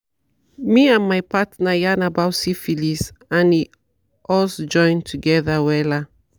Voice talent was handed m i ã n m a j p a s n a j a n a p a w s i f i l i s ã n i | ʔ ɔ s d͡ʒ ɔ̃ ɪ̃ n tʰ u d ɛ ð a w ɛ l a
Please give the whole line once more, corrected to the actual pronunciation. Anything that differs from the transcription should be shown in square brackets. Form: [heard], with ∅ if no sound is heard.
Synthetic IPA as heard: m i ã n m a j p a [t] n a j a n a [b] a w s i f i l i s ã n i | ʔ ɔ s d͡ʒ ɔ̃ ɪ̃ n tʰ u [ɡ] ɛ ð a w ɛ l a